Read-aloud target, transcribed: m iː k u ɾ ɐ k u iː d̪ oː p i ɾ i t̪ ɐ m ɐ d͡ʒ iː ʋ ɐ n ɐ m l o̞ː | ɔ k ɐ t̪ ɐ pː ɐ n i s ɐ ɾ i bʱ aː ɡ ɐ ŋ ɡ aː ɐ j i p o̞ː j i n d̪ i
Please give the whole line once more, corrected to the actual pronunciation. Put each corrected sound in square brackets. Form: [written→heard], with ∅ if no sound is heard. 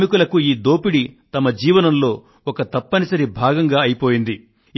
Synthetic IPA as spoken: m [iː→i] k u [ɾ→l] ɐ k u iː d̪ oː p i [ɾ→ɽ] i t̪ ɐ m ɐ d͡ʒ iː ʋ ɐ n ɐ m l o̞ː | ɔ k ɐ t̪ ɐ pː ɐ n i s ɐ ɾ i bʱ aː ɡ ɐ ŋ ɡ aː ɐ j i p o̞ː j i n d̪ i